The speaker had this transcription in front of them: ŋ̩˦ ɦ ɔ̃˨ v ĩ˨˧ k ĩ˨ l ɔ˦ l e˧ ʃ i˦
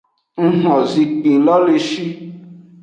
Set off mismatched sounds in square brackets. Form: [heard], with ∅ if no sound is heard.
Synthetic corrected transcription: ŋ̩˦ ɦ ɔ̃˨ [z] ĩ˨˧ [k͡p] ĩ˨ l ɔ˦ l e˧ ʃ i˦

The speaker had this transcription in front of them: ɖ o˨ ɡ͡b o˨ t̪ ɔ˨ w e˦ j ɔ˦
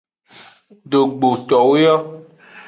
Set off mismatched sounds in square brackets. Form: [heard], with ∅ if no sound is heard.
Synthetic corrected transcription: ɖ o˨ ɡ͡b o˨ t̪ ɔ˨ w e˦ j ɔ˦

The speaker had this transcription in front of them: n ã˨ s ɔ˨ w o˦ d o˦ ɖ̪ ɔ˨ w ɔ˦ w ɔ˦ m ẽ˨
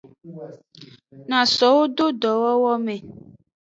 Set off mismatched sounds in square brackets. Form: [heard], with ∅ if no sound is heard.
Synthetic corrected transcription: n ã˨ s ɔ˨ w o˦ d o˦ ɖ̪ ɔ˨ w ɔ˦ w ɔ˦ m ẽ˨

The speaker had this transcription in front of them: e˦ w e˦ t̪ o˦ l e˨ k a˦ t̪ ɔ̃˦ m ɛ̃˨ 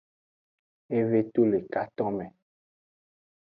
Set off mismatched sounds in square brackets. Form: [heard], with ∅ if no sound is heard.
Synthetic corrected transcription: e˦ [v] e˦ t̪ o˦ l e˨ k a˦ t̪ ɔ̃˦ m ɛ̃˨

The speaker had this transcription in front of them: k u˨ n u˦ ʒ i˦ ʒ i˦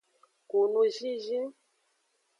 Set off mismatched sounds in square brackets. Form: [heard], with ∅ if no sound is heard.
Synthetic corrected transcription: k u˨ n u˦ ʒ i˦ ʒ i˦

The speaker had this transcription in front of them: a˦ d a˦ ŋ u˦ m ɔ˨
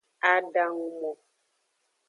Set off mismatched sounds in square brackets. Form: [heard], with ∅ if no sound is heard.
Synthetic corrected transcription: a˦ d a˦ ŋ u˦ m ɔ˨

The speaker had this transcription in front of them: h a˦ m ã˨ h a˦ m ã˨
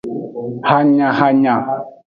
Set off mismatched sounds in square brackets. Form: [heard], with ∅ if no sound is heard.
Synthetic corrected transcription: h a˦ [ɲ] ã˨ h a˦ [ɲ] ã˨

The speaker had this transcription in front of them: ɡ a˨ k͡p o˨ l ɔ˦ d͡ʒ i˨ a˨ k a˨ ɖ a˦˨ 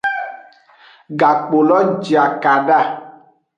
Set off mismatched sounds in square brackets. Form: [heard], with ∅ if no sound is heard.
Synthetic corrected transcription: ɡ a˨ k͡p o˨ l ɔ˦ d͡ʒ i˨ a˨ k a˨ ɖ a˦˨

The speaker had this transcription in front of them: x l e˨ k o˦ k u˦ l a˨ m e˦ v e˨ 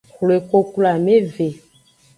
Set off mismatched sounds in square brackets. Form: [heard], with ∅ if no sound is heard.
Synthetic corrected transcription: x l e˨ k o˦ k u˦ l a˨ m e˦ v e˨

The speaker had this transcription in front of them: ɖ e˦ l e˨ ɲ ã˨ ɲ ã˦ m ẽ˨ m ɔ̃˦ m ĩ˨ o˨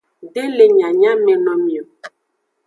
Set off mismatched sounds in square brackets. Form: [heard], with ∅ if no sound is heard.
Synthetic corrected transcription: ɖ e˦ l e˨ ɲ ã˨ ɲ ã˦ m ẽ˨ [n] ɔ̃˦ m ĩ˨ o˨

